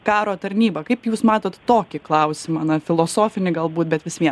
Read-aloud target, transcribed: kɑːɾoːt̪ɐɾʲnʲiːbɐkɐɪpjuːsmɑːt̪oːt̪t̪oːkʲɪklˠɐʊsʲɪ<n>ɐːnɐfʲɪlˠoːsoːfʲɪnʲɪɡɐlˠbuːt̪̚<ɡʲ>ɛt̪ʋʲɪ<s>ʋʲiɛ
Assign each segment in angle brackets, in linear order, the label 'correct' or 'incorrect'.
incorrect, incorrect, correct

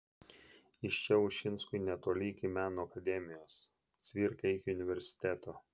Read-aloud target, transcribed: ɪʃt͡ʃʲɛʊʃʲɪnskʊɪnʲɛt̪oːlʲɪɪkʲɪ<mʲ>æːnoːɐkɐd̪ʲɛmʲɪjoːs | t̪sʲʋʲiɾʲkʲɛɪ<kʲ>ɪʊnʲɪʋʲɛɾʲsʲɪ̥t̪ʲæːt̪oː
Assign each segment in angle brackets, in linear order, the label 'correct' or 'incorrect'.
correct, correct

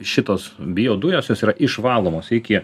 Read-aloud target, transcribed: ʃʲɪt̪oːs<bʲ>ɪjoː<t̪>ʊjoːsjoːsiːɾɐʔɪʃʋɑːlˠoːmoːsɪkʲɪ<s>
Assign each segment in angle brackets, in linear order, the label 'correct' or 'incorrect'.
correct, incorrect, incorrect

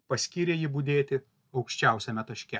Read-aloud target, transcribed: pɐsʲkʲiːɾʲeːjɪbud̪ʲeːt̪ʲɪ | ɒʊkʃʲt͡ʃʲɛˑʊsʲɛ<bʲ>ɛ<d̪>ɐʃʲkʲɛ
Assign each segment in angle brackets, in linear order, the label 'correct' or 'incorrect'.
incorrect, incorrect

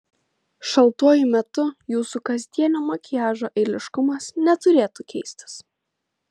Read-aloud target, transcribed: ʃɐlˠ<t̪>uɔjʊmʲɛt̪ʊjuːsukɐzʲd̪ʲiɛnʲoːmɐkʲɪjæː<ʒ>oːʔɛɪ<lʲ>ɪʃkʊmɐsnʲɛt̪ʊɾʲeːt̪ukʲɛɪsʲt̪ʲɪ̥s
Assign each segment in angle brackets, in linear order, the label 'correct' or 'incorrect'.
correct, correct, correct

